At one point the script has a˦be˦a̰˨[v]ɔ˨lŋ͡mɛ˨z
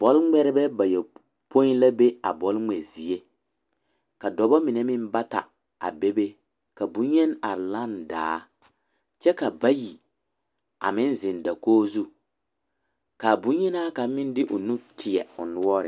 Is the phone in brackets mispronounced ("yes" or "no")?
yes